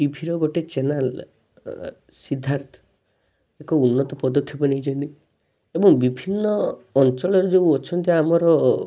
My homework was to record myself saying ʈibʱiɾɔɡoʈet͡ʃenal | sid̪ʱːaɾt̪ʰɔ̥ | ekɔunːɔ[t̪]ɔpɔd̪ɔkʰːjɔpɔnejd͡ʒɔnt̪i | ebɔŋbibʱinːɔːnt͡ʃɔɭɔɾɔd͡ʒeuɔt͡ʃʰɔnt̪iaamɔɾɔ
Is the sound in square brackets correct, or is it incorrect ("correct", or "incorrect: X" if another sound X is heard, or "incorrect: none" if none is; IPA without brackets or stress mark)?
correct